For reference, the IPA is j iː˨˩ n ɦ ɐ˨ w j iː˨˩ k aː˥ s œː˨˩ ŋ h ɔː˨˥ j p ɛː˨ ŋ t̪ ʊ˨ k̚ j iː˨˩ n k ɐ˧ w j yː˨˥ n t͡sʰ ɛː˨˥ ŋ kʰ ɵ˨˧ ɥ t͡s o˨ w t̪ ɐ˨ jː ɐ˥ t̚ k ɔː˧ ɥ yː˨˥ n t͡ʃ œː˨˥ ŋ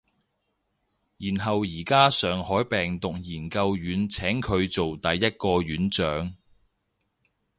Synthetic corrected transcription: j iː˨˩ n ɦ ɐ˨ w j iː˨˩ k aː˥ s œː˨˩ ŋ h ɔː˨˥ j p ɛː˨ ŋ t̪ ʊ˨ k̚ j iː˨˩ n k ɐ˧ w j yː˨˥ n t͡sʰ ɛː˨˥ ŋ kʰ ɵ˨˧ ɥ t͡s o˨ w t̪ ɐ˨ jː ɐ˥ t̚ k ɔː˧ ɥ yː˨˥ n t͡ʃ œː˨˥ ŋ